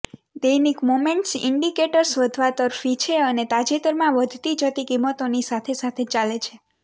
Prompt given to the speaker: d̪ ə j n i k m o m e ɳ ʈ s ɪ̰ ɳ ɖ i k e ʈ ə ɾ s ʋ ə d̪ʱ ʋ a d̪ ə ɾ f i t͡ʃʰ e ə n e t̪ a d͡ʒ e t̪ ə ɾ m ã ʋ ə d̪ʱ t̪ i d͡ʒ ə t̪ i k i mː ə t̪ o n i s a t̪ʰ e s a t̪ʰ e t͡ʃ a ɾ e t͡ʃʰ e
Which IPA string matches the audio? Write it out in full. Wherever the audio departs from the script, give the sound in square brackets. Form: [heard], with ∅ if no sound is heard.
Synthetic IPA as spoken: d̪ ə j n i k m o m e ɳ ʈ s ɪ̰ ɳ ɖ i k e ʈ ə ɾ s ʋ ə d̪ʱ ʋ a [t̪] ə ɾ f i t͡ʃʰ e ə n e t̪ a d͡ʒ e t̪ ə ɾ m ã ʋ ə d̪ʱ t̪ i d͡ʒ ə t̪ i k i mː ə t̪ o n i s a t̪ʰ e s a t̪ʰ e t͡ʃ a [l] e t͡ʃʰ e